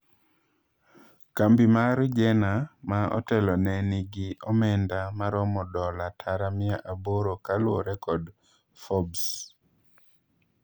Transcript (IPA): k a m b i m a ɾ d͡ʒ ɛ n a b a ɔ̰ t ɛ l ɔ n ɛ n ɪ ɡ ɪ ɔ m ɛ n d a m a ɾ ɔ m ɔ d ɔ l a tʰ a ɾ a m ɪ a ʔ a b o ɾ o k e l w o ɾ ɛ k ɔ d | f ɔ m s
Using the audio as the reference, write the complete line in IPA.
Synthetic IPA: k a m b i m a ɾ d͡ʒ ɛ n a m a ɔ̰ t ɛ l ɔ n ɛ n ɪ ɡ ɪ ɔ m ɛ n d a m a ɾ ɔ m ɔ d ɔ l a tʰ a ɾ a m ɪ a ʔ a b o ɾ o k a l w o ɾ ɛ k ɔ d | f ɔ b s

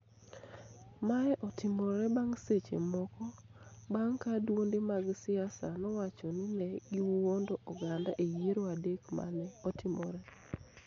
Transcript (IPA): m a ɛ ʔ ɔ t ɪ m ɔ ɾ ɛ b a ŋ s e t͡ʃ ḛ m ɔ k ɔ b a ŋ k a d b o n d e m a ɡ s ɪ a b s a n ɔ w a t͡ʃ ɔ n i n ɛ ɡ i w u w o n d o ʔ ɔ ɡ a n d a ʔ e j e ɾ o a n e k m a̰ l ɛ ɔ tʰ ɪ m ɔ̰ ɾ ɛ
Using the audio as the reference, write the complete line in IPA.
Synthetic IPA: m a ɛ ʔ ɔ t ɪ m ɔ ɾ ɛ b a ŋ s e t͡ʃ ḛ m ɔ k ɔ b a ŋ k a d w o n d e m a ɡ s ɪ a s a n ɔ w a t͡ʃ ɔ n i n ɛ ɡ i w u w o n d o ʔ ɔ ɡ a n d a ʔ e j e ɾ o a d e k m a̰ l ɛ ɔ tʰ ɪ m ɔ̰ ɾ ɛ

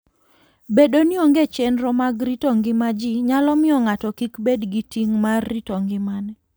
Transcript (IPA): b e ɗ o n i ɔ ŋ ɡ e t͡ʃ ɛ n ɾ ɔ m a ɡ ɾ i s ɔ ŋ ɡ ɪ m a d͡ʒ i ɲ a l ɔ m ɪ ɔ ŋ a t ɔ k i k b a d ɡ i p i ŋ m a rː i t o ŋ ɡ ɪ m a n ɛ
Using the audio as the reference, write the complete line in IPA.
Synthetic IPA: b e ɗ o n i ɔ ŋ ɡ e t͡ʃ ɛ n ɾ ɔ m a ɡ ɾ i t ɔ ŋ ɡ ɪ m a d͡ʒ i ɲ a l ɔ m ɪ ɔ ŋ a t ɔ k i k b e d ɡ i t i ŋ m a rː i t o ŋ ɡ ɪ m a n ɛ

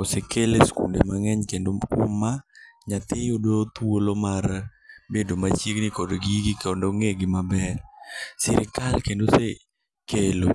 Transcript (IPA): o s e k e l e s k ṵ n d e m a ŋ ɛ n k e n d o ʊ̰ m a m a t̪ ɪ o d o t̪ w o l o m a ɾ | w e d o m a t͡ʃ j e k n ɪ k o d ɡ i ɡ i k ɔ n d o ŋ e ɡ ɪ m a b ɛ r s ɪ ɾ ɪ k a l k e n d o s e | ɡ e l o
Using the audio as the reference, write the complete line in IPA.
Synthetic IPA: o s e k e l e s k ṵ n d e m a ŋ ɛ ɲ k e n d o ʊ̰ m a ɲ a t̪ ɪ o d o t̪ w o l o m a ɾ | b e d o m a t͡ʃ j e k n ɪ k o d ɡ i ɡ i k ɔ n d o ŋ e ɡ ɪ m a b ɛ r s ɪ ɾ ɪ k a l k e n d o s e | k e l o

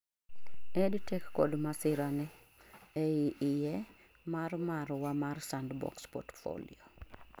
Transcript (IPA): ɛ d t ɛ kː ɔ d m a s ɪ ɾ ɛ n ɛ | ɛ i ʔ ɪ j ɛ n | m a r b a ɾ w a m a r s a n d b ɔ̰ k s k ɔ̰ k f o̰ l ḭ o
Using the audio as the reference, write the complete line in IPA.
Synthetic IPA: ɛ d t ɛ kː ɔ d m a s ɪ ɾ a n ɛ | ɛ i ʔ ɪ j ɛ | m a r m a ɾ w a m a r s a n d b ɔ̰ k s p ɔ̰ t f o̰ l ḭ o

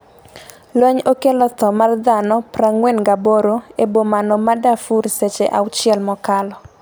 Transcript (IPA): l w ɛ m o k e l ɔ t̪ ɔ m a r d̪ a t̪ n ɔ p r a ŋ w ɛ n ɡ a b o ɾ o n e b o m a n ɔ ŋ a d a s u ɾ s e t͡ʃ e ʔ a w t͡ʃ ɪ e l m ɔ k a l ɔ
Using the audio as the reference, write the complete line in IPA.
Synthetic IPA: l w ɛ ɲ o k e l ɔ t̪ ɔ m a r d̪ a n ɔ p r a ŋ w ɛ n ɡ a b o ɾ o e b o m a n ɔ m a d a f u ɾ s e t͡ʃ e ʔ a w t͡ʃ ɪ ɛ l m ɔ k a l ɔ

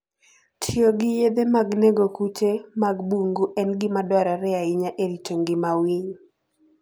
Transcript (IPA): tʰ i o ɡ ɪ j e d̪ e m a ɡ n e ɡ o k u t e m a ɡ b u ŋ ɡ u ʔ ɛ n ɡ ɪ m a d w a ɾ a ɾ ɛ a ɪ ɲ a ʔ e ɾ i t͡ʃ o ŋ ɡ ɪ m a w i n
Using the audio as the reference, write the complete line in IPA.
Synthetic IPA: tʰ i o ɡ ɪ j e d̪ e m a ɡ n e ɡ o k u t͡ʃ e m a ɡ b u ŋ ɡ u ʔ ɛ n ɡ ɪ m a d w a ɾ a ɾ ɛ a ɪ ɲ a ʔ e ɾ i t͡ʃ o ŋ ɡ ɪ m a w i ɲ

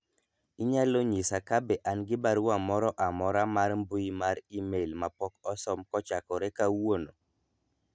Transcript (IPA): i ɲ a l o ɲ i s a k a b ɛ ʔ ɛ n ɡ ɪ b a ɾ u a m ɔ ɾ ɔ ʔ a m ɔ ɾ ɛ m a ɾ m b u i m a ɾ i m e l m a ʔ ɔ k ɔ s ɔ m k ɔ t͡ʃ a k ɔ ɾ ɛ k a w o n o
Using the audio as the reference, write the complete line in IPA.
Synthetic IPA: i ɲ a l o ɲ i s a k a b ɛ ʔ a n ɡ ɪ b a ɾ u a m ɔ ɾ ɔ ʔ a m ɔ ɾ a m a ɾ m b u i m a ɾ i m e l m a p ɔ k ɔ s ɔ m k ɔ t͡ʃ a k ɔ ɾ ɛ k a w o n o

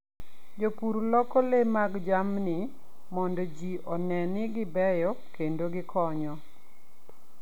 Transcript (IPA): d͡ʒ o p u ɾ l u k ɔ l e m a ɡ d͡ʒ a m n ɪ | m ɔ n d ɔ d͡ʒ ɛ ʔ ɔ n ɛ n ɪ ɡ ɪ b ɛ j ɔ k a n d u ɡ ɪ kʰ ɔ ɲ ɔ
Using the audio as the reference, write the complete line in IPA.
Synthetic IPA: d͡ʒ o p u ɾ l ɔ k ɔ l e m a ɡ d͡ʒ a m n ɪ | m ɔ n d ɔ d͡ʒ i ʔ ɔ n ɛ n ɪ ɡ ɪ b ɛ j ɔ k e n d o ɡ ɪ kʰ ɔ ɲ ɔ

